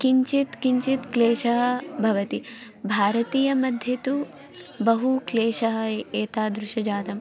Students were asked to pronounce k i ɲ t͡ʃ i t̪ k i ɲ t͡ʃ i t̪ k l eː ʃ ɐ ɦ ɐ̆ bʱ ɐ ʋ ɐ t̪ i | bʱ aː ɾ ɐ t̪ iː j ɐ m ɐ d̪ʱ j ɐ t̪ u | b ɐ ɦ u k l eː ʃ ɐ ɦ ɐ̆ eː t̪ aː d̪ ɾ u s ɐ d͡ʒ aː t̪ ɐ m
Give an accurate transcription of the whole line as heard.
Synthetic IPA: k i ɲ t͡ʃ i t̪ k i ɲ t͡ʃ i t̪ k l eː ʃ ɐ ɦ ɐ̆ bʱ ɐ ʋ ɐ t̪ i | bʱ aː ɾ ɐ t̪ iː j ɐ m ɐ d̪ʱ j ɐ t̪ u | b ɐ ɦ u k l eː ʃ ɐ ɦ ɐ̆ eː t̪ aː d̪ ɾ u ʃ ɐ d͡ʒ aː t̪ ɐ m